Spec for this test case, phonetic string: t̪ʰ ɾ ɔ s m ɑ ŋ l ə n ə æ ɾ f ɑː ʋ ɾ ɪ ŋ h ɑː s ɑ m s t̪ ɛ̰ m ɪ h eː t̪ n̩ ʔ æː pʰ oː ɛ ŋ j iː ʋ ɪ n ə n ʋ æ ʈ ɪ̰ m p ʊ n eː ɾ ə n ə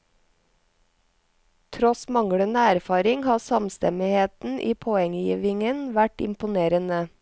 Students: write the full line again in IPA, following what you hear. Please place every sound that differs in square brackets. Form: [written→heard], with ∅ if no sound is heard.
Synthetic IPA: t̪ʰ ɾ ɔ s m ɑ ŋ [l→ɽ] ə n ə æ ɾ f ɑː [ʋ→∅] ɾ ɪ ŋ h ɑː s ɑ m s t̪ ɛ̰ m ɪ h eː t̪ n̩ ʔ [æː→iː] pʰ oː ɛ ŋ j iː ʋ ɪ [n→ŋ] ə n ʋ æ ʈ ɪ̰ m p ʊ n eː ɾ ə n ə